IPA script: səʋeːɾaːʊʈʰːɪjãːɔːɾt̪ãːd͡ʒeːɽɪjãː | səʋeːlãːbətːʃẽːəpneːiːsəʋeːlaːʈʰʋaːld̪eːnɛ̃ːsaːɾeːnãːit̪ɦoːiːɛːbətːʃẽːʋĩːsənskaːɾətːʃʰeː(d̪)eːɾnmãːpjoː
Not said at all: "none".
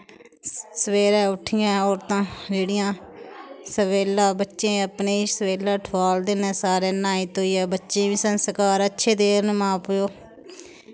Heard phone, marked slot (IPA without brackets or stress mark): d̪